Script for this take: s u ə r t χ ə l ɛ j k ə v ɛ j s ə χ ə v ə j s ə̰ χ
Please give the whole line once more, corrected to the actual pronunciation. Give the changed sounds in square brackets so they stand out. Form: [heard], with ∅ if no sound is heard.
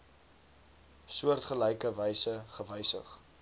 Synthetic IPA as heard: s u ə r t χ ə l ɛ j k ə v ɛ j s ə χ ə v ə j s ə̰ χ

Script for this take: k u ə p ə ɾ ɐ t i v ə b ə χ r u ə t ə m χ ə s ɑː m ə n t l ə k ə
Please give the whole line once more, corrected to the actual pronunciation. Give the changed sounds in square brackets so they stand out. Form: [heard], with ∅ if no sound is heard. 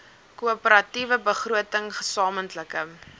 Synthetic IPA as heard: k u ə p ə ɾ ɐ t i v ə b ə χ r u ə t ə [ŋ] χ ə s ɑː m ə n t l ə k ə

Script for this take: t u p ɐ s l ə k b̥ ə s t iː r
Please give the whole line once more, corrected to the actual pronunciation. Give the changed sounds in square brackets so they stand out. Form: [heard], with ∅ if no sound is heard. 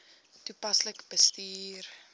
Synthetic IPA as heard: t u p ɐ s l ə k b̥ ə s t iː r

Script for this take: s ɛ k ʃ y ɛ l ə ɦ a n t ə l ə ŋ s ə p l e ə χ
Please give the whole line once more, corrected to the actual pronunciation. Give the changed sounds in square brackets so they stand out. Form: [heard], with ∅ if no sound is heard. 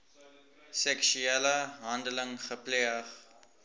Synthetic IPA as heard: s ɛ k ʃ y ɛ l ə ɦ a n [d] ə l ə ŋ [χ] ə p l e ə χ

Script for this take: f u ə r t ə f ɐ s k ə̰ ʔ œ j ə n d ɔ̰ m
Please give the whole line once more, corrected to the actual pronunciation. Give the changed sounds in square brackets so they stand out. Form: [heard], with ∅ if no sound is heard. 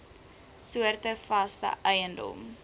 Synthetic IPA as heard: [s] u ə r t ə f ɐ s [t] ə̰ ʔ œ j ə n d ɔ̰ m

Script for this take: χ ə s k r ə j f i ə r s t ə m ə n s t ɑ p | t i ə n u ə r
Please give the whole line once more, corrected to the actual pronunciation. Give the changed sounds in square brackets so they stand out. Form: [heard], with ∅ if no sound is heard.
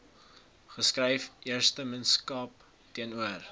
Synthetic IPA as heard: χ ə s k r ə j f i ə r s t ə m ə n s [k] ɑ p | t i ə n u ə r

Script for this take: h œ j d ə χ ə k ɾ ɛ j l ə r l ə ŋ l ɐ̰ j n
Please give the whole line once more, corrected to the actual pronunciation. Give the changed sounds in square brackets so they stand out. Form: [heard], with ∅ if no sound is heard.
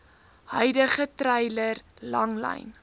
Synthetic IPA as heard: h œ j d ə χ ə [t] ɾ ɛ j l ə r l [ɐ] ŋ l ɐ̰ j n

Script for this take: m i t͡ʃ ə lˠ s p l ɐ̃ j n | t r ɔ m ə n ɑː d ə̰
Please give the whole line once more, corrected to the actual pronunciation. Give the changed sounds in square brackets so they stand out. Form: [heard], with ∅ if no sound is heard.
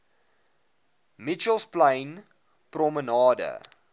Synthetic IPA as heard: m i t͡ʃ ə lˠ s p l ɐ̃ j n | [p] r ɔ m ə n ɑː d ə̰

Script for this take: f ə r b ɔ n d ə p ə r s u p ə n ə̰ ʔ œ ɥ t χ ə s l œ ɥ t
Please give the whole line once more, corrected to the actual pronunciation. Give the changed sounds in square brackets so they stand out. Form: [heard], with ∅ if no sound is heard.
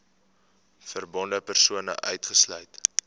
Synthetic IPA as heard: f ə r b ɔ n d ə p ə r s u [∅] ə n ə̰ ʔ œ ɥ t χ ə s l œ ɥ t

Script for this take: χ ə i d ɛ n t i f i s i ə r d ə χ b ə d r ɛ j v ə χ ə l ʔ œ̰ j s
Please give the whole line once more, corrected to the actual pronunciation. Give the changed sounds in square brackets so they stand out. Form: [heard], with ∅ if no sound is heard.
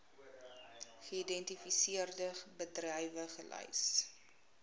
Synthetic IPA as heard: χ ə i d ɛ n t i f i s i ə r d ə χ b ə d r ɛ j v ə χ ə l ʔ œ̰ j s

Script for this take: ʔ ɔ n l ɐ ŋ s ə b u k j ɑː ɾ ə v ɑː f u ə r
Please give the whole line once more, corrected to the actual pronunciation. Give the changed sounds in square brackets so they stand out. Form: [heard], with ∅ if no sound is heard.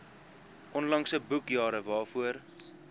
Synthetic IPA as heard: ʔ ɔ n l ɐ ŋ s ə b u k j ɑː ɾ ə v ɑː f u ə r

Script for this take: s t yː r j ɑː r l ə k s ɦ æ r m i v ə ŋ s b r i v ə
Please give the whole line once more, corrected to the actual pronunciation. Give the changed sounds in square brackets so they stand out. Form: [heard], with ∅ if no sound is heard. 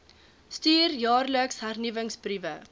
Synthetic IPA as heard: s t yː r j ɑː r l ə k s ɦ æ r [n] i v ə ŋ s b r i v ə

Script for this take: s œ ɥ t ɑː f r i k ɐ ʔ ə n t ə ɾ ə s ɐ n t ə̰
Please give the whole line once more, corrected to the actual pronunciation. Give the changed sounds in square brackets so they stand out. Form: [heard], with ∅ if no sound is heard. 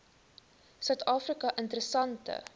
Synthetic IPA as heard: s œ ɥ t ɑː f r i k ɐ ʔ ə n t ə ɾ ə s ɐ n t ə̰

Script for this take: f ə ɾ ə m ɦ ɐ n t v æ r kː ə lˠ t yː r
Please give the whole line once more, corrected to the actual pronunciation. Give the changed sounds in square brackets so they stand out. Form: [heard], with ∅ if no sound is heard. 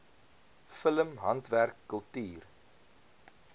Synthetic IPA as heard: f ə [l] ə m ɦ ɐ n t v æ r kː ə lˠ t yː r

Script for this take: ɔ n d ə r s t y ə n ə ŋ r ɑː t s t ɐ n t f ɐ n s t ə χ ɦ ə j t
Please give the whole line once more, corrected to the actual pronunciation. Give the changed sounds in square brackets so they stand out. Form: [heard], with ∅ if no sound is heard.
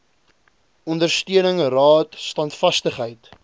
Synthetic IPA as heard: ɔ n d ə r s t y ə n ə ŋ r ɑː t s t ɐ n t f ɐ [∅] s t ə χ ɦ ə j t

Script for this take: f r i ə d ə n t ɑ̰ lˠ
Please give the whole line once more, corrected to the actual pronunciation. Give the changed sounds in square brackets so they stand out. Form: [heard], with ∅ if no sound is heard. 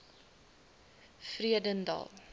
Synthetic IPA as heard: f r i ə d ə n [d] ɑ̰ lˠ

